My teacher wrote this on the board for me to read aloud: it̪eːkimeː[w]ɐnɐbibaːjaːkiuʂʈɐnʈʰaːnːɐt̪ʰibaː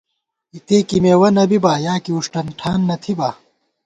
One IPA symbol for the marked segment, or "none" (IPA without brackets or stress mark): w